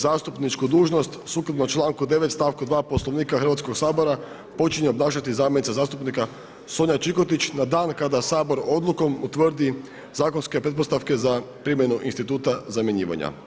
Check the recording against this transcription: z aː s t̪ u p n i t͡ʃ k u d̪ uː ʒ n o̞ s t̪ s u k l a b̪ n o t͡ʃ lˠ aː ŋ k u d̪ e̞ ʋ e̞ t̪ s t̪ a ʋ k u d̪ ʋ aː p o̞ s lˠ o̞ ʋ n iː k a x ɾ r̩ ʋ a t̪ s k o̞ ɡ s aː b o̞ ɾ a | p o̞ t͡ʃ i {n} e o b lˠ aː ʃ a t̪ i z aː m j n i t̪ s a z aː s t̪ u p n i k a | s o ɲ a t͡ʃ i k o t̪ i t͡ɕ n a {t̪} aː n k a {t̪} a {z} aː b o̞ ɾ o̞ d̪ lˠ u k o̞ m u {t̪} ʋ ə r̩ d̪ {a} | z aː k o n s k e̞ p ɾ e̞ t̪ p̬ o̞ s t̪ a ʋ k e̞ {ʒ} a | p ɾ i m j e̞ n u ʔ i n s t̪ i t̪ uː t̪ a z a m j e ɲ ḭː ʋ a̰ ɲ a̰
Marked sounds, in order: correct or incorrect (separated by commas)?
incorrect, incorrect, incorrect, incorrect, correct, incorrect, incorrect